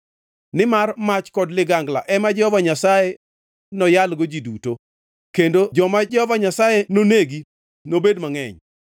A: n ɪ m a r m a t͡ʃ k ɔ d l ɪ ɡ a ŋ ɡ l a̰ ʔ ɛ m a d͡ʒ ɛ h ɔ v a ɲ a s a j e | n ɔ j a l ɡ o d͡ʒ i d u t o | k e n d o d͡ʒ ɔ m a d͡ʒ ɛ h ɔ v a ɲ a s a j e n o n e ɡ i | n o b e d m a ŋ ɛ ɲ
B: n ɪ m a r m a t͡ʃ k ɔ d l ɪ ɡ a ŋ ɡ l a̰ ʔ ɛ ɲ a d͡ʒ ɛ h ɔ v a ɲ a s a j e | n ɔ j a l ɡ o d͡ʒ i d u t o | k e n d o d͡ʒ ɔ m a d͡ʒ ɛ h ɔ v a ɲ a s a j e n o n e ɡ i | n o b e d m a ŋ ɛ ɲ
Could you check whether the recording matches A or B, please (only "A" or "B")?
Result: A